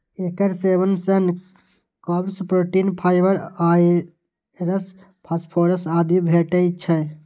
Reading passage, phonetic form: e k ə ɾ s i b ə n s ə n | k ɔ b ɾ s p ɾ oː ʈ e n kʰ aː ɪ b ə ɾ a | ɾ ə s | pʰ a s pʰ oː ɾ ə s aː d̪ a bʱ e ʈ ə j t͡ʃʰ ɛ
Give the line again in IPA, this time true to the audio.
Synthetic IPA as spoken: e k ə ɾ s e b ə n s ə n | k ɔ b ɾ s p ɾ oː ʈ i n pʰ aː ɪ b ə ɾ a | ɾ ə s | pʰ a s pʰ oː ɾ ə s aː d̪ i bʱ e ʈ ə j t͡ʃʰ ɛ